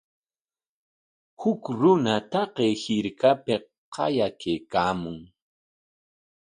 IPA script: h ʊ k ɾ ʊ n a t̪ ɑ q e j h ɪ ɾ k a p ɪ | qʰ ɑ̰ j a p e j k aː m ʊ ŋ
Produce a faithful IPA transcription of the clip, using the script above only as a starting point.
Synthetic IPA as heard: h ʊ k ɾ ʊ n a t̪ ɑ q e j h ɪ ɾ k a p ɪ | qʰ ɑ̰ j a k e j k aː m ʊ ŋ